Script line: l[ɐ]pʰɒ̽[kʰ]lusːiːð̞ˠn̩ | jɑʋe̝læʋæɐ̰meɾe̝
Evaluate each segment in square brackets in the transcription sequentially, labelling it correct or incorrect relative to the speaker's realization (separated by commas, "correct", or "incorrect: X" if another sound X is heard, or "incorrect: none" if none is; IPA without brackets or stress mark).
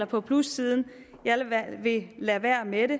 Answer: correct, incorrect: pʰ